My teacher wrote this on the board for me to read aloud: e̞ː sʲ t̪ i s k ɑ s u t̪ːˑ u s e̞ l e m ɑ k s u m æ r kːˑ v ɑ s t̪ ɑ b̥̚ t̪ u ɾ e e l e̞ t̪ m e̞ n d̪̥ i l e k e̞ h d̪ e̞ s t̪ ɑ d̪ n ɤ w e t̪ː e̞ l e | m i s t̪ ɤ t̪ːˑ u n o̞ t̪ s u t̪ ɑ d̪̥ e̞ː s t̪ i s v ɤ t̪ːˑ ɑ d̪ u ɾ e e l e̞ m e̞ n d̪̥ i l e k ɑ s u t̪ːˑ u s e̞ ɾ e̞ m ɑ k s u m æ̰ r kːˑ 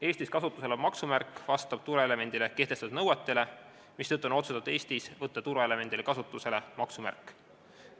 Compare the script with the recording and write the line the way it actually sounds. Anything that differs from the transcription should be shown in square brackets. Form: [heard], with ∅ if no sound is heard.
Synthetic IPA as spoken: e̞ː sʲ t̪ i s k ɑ s u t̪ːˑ u s e̞ l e m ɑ k s u m æ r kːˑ v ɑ s t̪ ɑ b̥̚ t̪ u ɾ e e l e̞ [∅] m e̞ n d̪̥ i l e k e̞ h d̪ e̞ s t̪ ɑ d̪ n ɤ w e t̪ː e̞ l e | m i s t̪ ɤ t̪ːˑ u n o̞ t̪ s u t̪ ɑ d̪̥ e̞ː s t̪ i s v ɤ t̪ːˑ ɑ [t̪] u ɾ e e l e̞ m e̞ n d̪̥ i l e k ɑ s u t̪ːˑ u s e̞ [l] e̞ m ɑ k s u m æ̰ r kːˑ